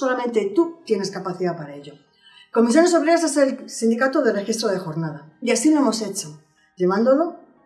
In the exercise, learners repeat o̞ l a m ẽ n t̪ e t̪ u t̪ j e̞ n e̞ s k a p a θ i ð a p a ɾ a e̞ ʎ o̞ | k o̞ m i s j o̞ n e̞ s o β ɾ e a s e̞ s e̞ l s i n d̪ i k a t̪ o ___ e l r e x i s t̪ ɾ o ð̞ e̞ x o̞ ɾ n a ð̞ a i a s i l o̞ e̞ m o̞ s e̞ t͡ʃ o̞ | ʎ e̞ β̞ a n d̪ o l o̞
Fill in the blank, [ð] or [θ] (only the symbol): ð